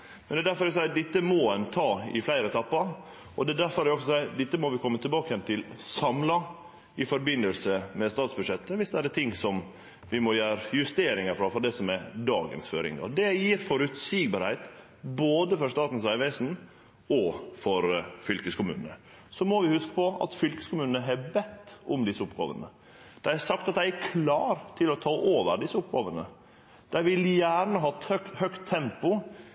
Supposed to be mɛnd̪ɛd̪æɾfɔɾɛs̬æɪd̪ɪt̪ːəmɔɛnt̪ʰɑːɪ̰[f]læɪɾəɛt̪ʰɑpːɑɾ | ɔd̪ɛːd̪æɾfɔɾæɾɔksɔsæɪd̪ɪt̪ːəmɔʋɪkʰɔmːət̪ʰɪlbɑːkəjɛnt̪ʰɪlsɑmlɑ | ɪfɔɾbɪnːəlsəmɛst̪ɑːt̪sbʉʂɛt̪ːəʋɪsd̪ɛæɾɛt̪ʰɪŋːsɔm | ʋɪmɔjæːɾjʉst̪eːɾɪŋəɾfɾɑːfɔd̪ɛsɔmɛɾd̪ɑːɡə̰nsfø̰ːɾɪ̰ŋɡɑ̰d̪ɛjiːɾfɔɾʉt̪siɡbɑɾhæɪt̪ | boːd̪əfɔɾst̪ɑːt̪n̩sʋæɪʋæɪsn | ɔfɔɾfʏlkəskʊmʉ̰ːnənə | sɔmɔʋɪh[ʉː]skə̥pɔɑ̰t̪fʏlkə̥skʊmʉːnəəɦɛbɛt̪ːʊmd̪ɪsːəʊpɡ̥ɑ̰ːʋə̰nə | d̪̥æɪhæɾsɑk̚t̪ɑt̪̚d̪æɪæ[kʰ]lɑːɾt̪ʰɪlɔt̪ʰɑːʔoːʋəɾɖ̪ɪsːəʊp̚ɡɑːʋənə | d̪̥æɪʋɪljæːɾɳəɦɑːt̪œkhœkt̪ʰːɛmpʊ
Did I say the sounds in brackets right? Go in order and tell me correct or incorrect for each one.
correct, incorrect: ʉ, correct

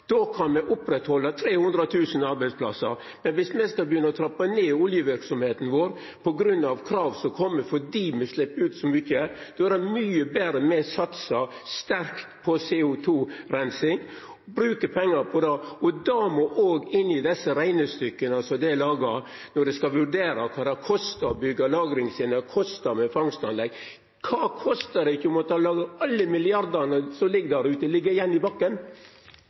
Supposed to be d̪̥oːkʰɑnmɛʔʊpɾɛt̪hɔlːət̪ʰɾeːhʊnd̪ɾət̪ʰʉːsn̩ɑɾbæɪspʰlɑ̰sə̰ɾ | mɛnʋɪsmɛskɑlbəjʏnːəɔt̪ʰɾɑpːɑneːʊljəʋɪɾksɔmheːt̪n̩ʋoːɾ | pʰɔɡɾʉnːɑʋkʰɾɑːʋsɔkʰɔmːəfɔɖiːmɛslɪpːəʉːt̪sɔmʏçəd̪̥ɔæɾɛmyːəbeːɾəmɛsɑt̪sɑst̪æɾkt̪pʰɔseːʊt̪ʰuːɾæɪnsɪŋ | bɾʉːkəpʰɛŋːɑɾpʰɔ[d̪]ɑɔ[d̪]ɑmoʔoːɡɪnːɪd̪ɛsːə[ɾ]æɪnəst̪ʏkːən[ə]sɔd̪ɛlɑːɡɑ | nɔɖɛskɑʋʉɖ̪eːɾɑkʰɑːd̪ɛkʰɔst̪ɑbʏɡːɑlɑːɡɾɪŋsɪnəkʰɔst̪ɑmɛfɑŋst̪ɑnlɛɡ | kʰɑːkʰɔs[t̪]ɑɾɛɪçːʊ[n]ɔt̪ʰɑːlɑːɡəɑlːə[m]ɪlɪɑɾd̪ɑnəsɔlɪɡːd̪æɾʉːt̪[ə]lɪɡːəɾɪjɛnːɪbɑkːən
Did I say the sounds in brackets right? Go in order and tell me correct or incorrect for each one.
correct, correct, correct, incorrect: ɑ, correct, incorrect: m, correct, correct

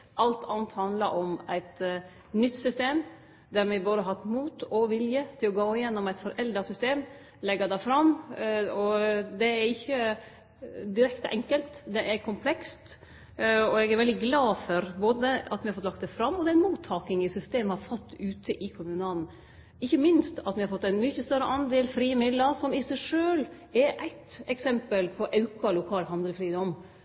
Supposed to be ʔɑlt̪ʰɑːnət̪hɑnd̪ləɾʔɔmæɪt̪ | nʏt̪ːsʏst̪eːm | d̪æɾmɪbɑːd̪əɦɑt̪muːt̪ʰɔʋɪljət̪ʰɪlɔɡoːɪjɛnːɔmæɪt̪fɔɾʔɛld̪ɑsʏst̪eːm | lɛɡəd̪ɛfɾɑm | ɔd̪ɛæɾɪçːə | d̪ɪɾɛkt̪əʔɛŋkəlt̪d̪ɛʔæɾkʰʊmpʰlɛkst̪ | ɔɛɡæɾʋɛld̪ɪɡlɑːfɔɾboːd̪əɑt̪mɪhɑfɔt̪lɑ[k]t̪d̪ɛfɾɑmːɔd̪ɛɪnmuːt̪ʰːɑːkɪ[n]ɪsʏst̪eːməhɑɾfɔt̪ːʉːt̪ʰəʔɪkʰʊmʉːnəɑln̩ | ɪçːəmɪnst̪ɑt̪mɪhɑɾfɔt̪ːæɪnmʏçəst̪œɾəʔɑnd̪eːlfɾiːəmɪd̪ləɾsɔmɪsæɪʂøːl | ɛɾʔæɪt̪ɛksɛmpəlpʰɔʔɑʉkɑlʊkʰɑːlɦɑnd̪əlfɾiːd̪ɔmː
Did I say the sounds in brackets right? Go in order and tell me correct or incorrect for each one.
correct, incorrect: ŋ

